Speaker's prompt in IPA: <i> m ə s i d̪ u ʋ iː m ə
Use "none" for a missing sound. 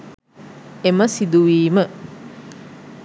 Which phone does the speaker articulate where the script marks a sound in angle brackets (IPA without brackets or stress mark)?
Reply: e